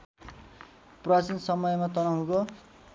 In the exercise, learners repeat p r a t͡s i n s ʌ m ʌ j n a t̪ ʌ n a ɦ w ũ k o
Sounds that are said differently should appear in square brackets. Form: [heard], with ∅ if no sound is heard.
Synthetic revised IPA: p r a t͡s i n s ʌ m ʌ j [m] a t̪ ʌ n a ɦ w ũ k o